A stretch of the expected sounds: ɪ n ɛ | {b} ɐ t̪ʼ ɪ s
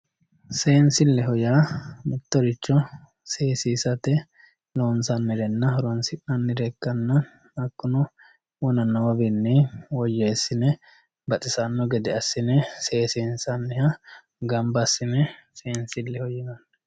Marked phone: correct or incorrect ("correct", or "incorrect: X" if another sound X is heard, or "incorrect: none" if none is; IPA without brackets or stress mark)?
correct